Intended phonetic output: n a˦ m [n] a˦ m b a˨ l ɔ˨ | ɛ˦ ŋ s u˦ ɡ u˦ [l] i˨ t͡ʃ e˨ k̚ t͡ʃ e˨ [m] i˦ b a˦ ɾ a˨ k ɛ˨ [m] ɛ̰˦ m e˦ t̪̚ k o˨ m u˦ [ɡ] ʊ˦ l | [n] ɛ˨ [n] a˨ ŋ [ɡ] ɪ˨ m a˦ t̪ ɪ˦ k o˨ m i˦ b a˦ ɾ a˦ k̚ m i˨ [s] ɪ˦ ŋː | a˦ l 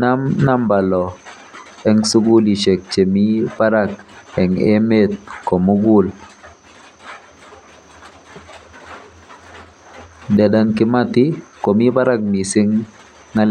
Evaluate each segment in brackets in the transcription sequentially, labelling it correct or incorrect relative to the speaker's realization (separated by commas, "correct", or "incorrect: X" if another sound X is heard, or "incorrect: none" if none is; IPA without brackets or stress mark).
correct, correct, correct, incorrect: ŋ, correct, incorrect: d, incorrect: d, incorrect: k, correct